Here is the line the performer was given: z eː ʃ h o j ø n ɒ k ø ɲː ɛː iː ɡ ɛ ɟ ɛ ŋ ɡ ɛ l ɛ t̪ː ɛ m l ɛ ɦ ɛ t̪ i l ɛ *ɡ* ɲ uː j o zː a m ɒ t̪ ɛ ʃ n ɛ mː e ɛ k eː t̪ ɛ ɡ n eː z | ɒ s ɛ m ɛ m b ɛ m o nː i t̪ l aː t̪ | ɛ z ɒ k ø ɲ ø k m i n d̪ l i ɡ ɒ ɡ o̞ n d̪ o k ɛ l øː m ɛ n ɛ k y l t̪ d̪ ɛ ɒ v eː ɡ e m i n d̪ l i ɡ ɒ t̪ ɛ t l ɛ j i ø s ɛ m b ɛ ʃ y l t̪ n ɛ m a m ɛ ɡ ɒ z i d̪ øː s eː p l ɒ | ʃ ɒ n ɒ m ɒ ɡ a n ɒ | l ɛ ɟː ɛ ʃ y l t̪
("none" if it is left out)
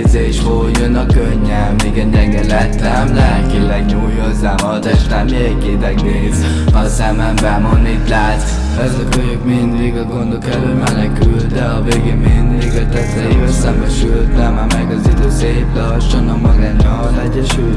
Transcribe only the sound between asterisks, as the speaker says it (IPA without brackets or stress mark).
ɡ